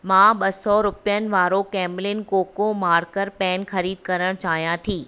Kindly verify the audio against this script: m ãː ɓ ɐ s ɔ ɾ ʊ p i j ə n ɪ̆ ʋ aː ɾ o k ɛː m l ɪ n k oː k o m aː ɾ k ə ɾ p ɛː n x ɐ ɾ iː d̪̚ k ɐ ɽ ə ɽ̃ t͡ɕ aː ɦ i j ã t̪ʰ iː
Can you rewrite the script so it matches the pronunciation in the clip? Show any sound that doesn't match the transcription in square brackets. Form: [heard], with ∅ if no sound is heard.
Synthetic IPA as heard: m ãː ɓ ɐ s ɔ ɾ ʊ p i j ə n ɪ̆ ʋ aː ɾ o k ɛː m l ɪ n k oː k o m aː ɾ k ə ɾ p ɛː n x ɐ ɾ iː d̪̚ k ɐ [ɾ] ə ɽ̃ t͡ɕ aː ɦ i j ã t̪ʰ iː